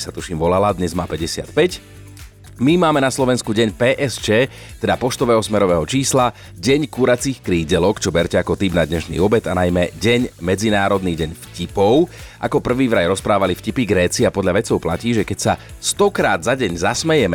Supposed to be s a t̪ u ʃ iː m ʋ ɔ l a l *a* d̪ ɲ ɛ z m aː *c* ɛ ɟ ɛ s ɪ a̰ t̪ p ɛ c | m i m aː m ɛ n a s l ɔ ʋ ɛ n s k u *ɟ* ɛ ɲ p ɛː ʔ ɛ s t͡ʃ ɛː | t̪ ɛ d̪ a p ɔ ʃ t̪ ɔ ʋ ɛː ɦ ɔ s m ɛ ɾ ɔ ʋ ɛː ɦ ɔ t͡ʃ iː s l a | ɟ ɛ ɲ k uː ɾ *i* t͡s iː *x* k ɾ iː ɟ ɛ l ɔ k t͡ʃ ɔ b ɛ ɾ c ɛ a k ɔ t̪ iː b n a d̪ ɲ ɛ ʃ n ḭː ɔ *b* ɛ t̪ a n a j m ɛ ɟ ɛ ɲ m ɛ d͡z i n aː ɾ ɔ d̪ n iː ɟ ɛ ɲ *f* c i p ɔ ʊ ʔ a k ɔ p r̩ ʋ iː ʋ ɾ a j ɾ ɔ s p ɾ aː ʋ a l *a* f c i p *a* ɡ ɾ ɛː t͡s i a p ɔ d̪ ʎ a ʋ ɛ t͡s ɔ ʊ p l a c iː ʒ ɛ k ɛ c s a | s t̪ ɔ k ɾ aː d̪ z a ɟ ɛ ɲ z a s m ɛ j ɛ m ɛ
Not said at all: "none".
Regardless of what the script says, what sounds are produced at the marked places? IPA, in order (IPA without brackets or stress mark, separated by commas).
a, p, ɟ, a, x, b, f, i, i